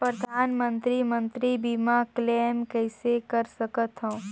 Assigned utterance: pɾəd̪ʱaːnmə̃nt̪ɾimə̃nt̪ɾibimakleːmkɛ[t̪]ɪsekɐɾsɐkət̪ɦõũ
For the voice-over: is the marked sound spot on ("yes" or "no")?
no